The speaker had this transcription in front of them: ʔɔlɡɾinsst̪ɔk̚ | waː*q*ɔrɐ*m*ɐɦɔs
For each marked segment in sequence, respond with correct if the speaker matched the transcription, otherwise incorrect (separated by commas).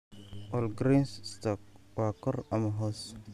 incorrect, correct